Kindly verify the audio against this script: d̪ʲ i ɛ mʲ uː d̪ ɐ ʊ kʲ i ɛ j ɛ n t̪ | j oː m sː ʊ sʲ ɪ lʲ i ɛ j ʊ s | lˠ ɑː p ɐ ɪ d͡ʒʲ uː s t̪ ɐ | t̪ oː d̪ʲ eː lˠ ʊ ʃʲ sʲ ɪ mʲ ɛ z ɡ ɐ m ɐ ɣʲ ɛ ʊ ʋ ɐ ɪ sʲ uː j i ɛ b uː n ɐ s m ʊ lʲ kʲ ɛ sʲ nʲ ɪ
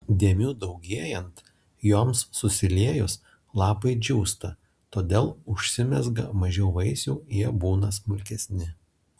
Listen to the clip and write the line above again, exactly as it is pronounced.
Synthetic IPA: d̪ʲ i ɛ mʲ uː d̪ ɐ ʊ ɡʲ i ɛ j ɛ n t̪ | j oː m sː ʊ sʲ ɪ lʲ i ɛ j ʊ s | lˠ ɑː p ɐ ɪ d͡ʒʲ uː s t̪ ɐ | t̪ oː d̪ʲ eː lˠ ʊ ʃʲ sʲ ɪ mʲ ɛ z ɡ ɐ m ɐ ʒʲ ɛ ʊ ʋ ɐ ɪ sʲ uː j i ɛ b uː n ɐ s m ʊ lʲ kʲ ɛ sʲ nʲ ɪ